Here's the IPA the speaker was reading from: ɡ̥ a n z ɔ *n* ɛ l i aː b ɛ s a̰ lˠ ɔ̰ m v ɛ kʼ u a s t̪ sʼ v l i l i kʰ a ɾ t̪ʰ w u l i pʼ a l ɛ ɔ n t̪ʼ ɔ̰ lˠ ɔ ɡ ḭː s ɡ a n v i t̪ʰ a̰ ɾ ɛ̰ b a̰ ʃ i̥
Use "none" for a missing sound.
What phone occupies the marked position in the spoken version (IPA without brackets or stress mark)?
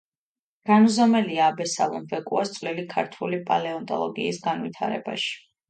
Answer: m